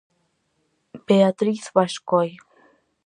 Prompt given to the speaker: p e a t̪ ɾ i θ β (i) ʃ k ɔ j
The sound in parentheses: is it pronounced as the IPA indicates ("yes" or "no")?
no